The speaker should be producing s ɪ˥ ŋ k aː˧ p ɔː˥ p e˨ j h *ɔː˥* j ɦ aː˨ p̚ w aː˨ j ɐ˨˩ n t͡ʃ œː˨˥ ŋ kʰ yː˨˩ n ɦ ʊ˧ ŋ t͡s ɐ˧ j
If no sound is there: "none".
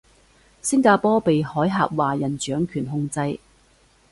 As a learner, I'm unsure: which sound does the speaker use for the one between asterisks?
ɔː˨˥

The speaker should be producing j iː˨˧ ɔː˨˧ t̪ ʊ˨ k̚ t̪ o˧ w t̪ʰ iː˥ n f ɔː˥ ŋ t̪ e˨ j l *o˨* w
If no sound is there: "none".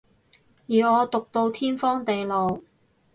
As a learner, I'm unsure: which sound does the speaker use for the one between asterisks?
o˨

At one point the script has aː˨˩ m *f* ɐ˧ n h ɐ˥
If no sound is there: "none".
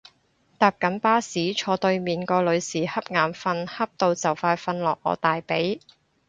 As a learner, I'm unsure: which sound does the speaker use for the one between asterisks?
f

